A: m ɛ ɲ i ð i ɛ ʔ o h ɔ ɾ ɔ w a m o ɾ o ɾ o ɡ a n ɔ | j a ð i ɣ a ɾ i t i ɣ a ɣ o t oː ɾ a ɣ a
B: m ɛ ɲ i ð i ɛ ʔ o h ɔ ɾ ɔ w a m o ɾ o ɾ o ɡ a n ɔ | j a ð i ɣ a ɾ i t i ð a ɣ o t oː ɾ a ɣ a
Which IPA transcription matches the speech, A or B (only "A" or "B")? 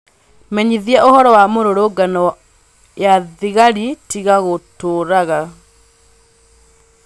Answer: A